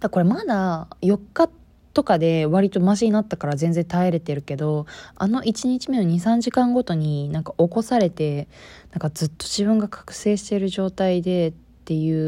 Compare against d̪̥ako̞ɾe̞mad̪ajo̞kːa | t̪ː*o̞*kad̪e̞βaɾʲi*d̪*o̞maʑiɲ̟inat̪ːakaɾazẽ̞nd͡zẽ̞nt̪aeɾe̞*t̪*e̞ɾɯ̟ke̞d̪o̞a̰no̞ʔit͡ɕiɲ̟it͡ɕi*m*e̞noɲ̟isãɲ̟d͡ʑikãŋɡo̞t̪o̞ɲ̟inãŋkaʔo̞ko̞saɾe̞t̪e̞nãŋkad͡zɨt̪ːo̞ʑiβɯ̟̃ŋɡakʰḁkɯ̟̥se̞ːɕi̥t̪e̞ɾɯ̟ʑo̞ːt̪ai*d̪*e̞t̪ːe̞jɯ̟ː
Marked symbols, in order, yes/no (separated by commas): yes, no, yes, yes, yes